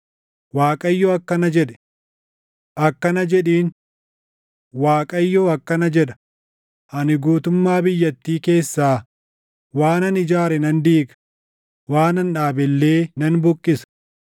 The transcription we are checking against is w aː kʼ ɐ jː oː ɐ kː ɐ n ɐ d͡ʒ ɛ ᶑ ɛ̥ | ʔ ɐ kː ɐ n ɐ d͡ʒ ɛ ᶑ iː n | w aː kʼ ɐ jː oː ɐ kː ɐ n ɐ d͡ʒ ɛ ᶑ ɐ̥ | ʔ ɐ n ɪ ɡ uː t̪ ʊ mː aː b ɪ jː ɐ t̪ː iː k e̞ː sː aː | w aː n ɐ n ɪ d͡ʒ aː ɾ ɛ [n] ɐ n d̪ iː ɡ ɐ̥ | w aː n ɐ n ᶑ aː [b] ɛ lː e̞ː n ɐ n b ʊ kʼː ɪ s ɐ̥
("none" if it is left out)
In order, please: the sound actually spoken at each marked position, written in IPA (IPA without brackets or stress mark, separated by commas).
n, b